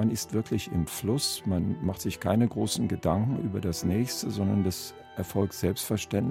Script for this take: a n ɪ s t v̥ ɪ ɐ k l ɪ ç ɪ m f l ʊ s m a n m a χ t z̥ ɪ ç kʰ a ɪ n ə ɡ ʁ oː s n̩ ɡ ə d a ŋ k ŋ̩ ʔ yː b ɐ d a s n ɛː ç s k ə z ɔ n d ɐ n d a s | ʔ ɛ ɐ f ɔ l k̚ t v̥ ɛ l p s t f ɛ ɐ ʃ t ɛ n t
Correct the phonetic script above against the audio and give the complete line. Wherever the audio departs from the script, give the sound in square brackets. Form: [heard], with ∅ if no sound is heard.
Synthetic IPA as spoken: a n ɪ s t v̥ ɪ ɐ k l ɪ ç ɪ m f l ʊ s m a n m a χ t z̥ ɪ ç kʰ a ɪ n ə ɡ ʁ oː s n̩ ɡ ə d a ŋ k ŋ̩ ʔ yː b ɐ d a s n ɛː ç s [t] ə z ɔ n d ɐ n d a s | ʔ ɛ ɐ f ɔ l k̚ t [z̥] ɛ l p s t f ɛ ɐ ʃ t ɛ n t